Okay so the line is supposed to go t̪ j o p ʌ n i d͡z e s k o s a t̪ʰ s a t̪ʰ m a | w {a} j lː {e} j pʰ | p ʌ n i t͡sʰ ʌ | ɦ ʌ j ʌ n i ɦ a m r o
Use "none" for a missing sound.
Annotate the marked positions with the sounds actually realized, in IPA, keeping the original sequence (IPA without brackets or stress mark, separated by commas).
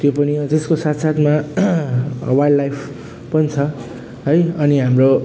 a, a